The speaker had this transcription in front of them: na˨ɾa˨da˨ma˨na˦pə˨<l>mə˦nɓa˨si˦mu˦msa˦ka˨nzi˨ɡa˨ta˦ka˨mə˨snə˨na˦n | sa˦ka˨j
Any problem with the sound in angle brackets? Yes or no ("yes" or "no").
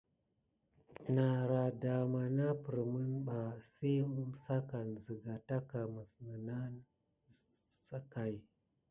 yes